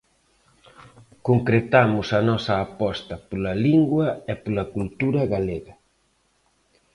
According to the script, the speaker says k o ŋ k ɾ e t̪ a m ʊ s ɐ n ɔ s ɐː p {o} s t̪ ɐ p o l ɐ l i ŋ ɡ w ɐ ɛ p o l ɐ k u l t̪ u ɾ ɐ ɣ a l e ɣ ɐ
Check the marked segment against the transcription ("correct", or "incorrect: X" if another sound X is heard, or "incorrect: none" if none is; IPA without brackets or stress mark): incorrect: ɔ